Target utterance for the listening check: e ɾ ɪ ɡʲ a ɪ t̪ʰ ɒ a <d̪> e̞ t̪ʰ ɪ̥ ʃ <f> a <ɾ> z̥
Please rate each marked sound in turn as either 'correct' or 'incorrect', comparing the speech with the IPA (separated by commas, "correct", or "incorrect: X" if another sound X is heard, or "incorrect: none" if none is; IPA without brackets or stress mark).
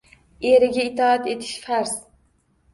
incorrect: t̪, correct, correct